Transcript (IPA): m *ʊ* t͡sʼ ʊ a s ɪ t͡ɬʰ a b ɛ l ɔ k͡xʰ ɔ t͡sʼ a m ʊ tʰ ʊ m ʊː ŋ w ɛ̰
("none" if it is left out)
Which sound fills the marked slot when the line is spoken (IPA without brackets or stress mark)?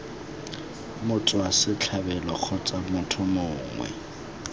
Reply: ʊ